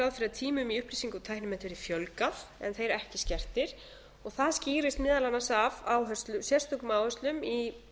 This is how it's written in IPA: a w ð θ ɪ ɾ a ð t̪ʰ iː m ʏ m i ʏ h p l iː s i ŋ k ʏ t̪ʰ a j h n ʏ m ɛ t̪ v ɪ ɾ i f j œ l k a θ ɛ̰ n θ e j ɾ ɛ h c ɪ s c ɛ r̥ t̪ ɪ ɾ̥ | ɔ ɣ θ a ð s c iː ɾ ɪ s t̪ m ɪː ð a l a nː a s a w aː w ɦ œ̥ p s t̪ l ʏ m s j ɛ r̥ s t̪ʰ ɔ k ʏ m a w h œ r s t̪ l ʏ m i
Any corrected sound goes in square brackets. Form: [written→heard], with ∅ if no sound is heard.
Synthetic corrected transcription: a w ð [θ→f] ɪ ɾ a ð t̪ʰ iː m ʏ m i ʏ h p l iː s i ŋ k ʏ t̪ʰ a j h n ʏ m ɛ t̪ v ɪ ɾ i f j œ l k a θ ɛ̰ n θ e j ɾ ɛ h c ɪ s c ɛ r̥ t̪ ɪ ɾ̥ | ɔ ɣ θ a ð s c iː ɾ ɪ s t̪ m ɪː ð a l a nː a s a [w→v] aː w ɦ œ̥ [p→∅] s t̪ l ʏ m s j ɛ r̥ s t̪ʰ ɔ k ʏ m a w h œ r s t̪ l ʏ m i